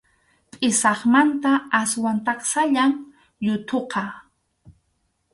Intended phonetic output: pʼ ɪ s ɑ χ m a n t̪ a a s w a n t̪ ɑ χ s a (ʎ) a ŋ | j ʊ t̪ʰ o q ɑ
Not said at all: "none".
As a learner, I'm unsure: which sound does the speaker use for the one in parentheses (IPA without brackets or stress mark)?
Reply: ʎ